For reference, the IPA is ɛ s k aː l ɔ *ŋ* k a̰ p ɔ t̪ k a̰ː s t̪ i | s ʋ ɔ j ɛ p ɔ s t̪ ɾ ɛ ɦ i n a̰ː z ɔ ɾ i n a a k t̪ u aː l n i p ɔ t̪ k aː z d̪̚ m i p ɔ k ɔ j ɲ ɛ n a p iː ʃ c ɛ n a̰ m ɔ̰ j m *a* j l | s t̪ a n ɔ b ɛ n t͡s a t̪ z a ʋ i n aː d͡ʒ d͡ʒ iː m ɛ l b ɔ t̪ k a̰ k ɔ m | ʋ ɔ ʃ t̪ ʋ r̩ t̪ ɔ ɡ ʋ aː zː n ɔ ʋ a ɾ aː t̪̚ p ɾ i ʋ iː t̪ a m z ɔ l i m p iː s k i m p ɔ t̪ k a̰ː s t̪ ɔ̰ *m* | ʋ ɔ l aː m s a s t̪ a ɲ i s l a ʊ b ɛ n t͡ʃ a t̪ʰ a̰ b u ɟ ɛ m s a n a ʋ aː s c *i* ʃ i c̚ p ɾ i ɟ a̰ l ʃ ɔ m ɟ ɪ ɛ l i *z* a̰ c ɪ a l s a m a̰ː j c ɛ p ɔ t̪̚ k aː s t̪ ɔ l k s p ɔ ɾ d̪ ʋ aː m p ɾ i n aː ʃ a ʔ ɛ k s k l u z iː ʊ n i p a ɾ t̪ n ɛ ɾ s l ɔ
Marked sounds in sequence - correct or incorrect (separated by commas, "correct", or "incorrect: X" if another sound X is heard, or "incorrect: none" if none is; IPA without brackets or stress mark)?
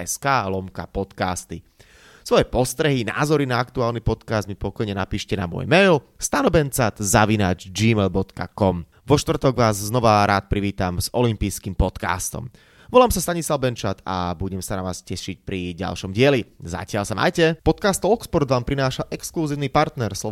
incorrect: m, incorrect: ɛ, correct, incorrect: ɛ, correct